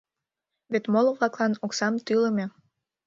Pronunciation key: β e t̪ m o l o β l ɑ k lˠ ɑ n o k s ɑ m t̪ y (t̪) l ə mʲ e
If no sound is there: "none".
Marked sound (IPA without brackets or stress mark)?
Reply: none